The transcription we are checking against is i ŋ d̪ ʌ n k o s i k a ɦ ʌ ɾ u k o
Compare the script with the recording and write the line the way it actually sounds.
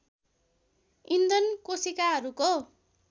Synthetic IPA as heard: i n d̪ ʌ n k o s i k a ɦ ʌ ɾ u k o